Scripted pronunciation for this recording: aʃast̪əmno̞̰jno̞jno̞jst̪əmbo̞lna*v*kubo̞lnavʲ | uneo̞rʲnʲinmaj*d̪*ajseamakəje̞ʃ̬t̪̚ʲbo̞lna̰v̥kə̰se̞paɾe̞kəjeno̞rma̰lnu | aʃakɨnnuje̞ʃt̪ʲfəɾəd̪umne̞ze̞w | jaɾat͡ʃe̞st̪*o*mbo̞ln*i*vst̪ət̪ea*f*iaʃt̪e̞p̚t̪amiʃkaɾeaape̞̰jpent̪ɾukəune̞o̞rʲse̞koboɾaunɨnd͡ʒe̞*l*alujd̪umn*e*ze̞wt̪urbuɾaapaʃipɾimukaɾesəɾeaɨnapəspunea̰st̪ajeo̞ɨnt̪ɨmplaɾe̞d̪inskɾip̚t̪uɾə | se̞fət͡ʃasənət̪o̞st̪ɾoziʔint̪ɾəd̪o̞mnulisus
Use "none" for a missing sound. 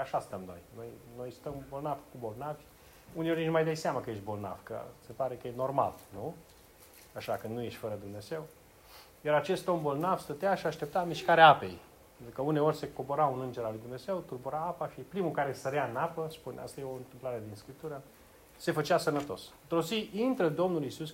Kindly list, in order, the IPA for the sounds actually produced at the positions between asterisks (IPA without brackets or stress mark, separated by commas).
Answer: v, d̪, o, a, ʃ, ɾ, e